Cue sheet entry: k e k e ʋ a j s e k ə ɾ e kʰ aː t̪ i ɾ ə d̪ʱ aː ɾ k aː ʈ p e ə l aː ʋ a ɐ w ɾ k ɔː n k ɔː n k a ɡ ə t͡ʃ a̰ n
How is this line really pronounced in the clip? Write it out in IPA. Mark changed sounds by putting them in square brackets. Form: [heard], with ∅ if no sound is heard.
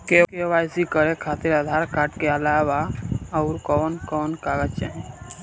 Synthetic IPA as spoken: k e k e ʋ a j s [i] k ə ɾ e kʰ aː t̪ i ɾ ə d̪ʱ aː ɾ k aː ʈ [k] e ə l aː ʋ a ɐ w ɾ k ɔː n k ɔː n k a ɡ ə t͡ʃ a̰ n